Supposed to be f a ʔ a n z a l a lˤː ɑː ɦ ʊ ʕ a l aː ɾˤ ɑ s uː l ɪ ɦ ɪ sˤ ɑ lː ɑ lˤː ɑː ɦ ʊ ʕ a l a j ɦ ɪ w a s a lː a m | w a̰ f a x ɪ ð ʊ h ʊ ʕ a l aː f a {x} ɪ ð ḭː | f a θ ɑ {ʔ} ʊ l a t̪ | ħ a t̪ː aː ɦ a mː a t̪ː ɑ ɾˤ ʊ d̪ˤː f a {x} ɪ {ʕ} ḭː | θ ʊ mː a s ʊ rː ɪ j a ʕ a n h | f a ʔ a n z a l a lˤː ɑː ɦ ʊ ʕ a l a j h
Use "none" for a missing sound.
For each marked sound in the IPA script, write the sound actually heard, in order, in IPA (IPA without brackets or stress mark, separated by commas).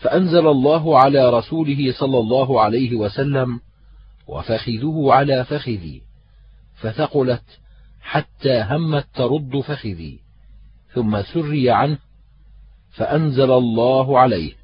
x, q, x, ð